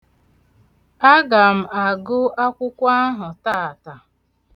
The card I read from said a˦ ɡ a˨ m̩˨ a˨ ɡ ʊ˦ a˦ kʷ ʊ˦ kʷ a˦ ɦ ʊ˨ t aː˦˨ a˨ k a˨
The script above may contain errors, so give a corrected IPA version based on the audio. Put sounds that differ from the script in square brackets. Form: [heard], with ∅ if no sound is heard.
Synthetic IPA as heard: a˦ ɡ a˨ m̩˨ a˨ ɡ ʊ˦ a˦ kʷ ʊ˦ kʷ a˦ ɦ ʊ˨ t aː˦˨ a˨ [t] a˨